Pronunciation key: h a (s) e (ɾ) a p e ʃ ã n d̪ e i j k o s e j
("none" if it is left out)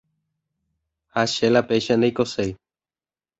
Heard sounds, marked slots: ʃ, l

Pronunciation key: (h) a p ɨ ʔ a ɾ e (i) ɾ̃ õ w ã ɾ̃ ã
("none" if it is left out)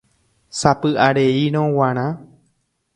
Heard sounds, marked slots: s, i

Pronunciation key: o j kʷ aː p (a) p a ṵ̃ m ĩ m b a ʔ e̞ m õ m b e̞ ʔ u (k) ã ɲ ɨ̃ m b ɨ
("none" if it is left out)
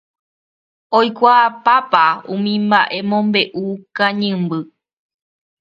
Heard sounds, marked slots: a, k

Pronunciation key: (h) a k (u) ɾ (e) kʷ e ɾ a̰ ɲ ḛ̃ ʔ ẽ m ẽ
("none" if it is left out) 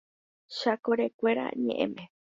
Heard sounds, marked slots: ʃ, o, e

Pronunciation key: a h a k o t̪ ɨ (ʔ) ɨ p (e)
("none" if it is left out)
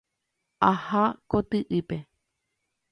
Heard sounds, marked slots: ʔ, e

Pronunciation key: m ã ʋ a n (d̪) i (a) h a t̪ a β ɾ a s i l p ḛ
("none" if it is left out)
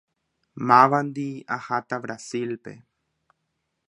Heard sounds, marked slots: d̪, a

